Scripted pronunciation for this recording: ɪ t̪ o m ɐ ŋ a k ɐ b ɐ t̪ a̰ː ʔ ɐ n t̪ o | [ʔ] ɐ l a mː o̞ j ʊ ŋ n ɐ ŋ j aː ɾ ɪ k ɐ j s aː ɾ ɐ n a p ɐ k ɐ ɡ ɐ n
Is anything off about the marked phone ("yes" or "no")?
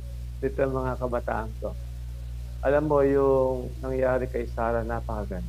no